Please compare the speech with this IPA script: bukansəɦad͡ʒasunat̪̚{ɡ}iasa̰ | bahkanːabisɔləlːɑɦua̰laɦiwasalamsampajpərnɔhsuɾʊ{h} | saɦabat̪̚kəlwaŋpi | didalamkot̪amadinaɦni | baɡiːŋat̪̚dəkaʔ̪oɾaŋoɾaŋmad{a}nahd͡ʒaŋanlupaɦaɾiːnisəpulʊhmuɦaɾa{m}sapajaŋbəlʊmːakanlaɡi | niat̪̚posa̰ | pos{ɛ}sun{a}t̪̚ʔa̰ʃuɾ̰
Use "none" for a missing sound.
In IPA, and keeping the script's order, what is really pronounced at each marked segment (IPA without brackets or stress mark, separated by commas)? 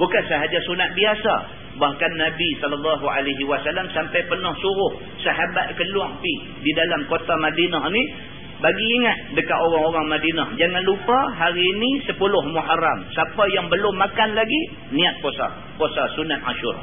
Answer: b, h, i, m, a, a